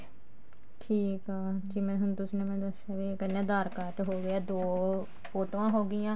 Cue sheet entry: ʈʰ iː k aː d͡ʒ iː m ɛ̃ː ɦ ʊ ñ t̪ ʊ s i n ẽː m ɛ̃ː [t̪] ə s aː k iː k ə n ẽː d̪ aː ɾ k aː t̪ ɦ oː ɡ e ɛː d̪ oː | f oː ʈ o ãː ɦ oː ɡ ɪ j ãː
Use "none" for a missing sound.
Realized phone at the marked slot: d̪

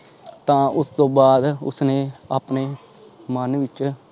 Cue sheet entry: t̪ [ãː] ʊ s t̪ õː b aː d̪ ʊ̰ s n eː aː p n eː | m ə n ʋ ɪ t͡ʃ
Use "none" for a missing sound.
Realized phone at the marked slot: ãː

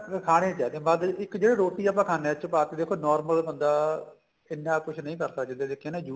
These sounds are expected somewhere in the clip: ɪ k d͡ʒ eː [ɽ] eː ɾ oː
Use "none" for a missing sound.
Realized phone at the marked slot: ɽ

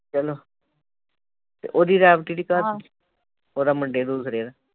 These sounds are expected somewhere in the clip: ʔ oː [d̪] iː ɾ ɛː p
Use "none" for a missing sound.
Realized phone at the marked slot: d̪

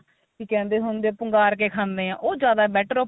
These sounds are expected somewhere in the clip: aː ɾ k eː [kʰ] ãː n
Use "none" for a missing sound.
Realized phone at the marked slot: kʰ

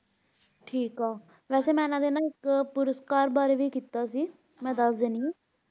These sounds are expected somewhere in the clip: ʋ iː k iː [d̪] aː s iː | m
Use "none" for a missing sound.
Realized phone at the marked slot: t̪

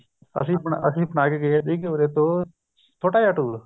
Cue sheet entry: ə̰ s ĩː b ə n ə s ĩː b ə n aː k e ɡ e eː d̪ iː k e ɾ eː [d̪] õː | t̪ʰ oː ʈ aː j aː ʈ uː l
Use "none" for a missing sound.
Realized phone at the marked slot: t̪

